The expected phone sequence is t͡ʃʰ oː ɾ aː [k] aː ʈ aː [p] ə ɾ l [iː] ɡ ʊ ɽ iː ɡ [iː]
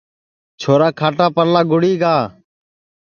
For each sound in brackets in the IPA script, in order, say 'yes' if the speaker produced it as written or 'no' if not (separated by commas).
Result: no, yes, no, no